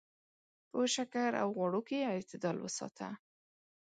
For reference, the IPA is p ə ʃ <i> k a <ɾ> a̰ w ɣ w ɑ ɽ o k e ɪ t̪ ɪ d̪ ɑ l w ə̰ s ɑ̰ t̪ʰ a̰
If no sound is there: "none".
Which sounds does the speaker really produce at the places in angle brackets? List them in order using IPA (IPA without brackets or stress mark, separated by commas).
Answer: a, ɾ